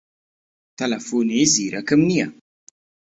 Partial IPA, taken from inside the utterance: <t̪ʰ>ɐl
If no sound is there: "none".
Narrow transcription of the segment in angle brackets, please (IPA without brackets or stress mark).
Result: t̪